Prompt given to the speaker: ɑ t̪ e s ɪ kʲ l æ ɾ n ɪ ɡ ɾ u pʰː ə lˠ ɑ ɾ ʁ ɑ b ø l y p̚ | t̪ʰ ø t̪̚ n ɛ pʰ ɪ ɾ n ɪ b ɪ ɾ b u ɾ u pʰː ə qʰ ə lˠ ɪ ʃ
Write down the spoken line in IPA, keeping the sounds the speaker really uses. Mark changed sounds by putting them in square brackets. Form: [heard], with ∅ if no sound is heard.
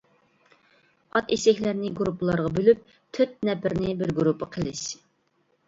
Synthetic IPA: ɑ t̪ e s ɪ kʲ l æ ɾ n ɪ ɡ ɾ u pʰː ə lˠ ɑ ɾ ʁ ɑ b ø l y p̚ | t̪ʰ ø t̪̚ n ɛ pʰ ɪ ɾ n ɪ b ɪ ɾ [ɡ] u ɾ u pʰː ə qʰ ə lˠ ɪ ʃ